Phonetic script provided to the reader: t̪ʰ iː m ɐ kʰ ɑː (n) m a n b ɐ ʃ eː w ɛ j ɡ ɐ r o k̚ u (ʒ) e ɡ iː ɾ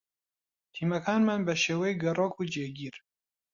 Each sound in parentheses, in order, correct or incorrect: correct, incorrect

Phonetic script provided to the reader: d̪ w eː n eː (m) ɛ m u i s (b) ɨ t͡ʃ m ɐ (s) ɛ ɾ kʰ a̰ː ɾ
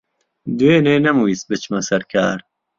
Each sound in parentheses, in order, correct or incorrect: incorrect, correct, correct

